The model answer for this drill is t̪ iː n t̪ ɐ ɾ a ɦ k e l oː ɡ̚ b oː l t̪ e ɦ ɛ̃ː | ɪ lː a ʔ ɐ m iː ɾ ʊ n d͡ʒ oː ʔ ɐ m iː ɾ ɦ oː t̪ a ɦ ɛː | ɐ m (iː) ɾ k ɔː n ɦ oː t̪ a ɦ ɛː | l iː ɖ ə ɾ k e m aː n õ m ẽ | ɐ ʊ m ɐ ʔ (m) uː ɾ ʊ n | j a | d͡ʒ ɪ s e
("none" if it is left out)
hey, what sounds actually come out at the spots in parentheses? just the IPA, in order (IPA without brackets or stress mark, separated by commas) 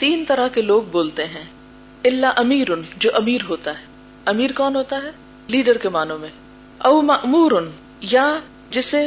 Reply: iː, m